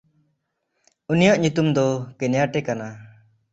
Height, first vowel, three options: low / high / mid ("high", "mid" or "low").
high